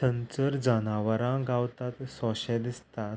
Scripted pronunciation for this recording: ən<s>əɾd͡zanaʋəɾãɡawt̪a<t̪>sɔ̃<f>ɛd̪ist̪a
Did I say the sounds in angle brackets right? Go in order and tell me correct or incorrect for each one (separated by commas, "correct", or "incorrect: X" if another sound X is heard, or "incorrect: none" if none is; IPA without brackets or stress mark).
incorrect: t͡s, correct, incorrect: ɕ